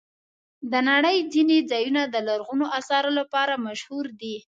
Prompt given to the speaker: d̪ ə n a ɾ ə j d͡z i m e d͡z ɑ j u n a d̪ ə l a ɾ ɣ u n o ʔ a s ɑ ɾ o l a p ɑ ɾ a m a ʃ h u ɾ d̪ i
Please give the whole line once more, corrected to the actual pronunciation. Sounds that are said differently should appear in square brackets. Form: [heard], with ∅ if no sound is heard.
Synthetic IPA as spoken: d̪ ə n a [ɽ] ə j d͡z i [n] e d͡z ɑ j u n a d̪ ə l a ɾ ɣ u n o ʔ a s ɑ ɾ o l a p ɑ ɾ a m a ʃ h u ɾ d̪ i